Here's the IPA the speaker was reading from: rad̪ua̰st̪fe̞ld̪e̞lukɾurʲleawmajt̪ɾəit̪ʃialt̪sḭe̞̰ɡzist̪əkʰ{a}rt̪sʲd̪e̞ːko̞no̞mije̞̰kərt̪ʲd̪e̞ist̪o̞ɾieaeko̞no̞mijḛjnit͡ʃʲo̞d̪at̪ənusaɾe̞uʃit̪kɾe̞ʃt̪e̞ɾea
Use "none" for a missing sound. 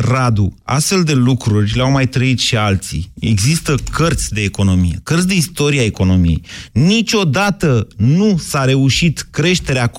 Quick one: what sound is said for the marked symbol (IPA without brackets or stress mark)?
ə